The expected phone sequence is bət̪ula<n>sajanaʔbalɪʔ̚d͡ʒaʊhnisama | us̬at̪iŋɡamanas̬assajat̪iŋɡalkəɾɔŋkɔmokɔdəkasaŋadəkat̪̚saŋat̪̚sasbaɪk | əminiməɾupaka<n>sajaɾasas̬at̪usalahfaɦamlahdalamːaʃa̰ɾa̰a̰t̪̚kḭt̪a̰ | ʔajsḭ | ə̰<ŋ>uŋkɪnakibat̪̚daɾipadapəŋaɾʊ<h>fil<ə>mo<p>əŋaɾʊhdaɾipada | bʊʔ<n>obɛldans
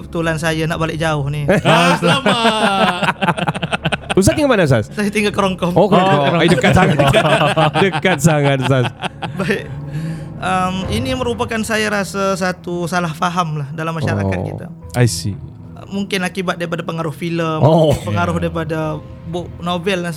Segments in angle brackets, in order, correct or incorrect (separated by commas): correct, correct, incorrect, correct, correct, correct, correct